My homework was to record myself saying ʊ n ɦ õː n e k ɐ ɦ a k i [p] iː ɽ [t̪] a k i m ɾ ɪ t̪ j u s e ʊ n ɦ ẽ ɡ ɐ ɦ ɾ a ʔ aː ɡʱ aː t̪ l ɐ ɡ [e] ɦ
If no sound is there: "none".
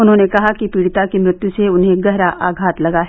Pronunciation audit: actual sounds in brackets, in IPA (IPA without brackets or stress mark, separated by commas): p, t̪, a